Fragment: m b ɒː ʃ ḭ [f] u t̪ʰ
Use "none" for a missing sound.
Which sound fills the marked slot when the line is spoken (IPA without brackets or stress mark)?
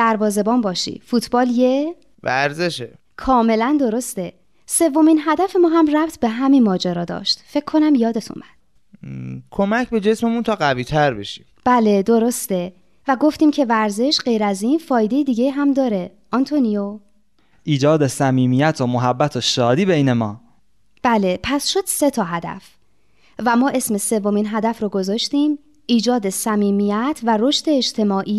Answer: f